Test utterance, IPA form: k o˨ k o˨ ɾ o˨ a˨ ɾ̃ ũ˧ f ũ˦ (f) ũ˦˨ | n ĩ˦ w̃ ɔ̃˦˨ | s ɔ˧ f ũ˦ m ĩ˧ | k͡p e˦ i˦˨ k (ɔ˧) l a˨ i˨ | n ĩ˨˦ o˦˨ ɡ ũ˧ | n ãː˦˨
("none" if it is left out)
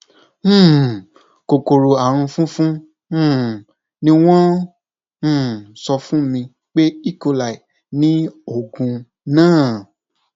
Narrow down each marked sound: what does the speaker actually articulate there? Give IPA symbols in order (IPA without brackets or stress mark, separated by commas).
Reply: f, o˧